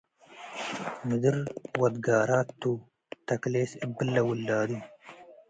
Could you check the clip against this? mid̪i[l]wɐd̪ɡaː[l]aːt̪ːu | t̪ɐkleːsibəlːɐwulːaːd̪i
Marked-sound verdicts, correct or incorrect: incorrect, incorrect

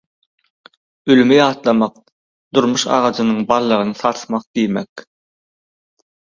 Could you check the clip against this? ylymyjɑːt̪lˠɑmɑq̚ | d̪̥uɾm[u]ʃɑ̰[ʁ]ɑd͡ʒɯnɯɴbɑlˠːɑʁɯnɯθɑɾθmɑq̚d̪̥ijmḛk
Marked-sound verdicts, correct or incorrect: correct, correct

